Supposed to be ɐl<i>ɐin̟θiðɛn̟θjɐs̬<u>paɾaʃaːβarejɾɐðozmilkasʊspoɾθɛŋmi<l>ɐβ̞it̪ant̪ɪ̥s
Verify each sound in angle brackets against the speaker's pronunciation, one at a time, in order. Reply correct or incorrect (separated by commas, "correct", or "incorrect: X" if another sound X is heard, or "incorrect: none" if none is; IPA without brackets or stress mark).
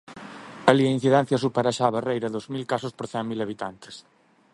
correct, correct, correct